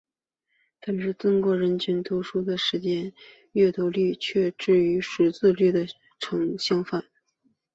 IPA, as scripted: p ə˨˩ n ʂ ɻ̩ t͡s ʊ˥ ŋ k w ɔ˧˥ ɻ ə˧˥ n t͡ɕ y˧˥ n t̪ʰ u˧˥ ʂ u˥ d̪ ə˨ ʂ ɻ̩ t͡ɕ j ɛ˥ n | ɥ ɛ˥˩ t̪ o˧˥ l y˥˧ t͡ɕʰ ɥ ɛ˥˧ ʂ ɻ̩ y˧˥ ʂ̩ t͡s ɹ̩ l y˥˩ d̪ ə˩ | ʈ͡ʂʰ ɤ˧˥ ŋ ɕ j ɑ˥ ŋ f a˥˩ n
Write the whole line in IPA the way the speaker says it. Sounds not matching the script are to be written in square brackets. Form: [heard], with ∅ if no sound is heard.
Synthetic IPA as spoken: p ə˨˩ n [ʈ͡ʂ] ɻ̩ t͡s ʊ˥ ŋ k w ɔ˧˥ ɻ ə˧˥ n [t͡ɕʰ] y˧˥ n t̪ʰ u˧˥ ʂ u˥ d̪ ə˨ ʂ ɻ̩ t͡ɕ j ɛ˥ n | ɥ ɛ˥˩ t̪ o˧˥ l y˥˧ t͡ɕʰ ɥ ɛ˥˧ [ʈ͡ʂ] ɻ̩ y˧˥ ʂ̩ t͡s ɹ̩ l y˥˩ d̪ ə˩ | ʈ͡ʂʰ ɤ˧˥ ŋ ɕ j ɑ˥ ŋ f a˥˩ n